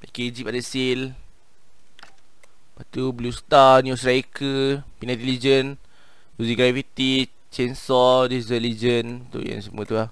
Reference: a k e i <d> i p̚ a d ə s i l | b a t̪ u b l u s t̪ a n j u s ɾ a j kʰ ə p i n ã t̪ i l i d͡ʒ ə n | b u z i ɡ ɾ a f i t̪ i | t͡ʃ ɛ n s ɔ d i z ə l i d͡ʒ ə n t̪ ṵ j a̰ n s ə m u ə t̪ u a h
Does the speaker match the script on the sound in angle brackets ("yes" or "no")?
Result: no